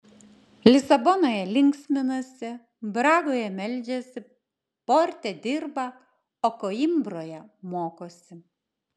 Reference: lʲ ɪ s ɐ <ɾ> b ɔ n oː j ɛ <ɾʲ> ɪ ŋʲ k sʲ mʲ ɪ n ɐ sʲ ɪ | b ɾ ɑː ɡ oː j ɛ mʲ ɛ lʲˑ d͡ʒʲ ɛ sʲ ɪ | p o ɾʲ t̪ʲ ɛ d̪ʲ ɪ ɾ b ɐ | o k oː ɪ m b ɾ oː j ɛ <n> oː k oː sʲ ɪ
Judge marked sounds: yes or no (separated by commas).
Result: no, no, no